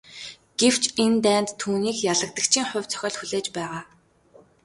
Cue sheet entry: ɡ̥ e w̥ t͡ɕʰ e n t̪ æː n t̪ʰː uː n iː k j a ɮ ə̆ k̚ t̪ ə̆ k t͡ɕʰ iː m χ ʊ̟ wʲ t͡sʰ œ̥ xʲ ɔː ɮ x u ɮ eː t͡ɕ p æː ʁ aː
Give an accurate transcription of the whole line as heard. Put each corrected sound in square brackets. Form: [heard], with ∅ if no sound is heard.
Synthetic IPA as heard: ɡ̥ e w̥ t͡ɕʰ e n t̪ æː n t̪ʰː uː n iː k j a ɮ ə̆ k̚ t̪ ə̆ k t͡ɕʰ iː [ŋ] χ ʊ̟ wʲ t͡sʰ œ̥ xʲ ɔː ɮ x u ɮ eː t͡ɕ p æː ʁ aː